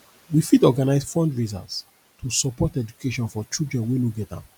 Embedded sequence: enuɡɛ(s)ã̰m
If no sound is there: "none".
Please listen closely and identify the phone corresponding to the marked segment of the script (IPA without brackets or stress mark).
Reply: t